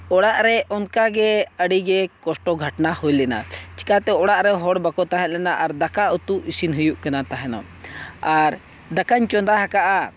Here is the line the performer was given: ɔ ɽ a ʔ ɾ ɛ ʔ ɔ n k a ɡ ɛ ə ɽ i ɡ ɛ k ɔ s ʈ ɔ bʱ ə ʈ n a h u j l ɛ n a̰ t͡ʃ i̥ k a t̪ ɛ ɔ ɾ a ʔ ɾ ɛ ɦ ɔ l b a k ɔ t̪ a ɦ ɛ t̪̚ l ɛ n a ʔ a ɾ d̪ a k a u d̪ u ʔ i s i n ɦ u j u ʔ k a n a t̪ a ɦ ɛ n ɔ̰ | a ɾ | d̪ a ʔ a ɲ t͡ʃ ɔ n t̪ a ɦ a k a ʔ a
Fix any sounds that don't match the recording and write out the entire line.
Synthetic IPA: ɔ ɽ a ʔ ɾ ɛ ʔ ɔ n k a ɡ ɛ ə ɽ i ɡ ɛ k ɔ s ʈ ɔ ɡʱ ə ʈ n a h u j l ɛ n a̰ t͡ʃ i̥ k a t̪ ɛ ɔ ɽ a ʔ ɾ ɛ ɦ ɔ ɽ b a k ɔ t̪ a ɦ ɛ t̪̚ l ɛ n a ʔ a ɾ d̪ a k a u t̪ u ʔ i s i n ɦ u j u ʔ k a n a t̪ a ɦ ɛ n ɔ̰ | a ɾ | d̪ a k a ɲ t͡ʃ ɔ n d̪ a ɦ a k a ʔ a